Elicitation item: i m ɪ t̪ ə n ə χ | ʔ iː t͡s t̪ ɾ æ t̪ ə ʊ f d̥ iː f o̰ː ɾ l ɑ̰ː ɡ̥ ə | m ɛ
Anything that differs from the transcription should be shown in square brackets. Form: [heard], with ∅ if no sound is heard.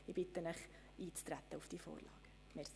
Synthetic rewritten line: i [b] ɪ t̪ ə n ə χ | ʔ iː t͡s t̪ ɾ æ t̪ ə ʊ f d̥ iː f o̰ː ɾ l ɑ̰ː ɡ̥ ə | m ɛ